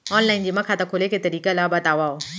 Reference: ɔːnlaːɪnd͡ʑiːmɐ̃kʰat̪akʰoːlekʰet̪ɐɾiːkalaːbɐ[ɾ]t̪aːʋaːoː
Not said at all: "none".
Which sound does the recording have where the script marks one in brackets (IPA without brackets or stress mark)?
none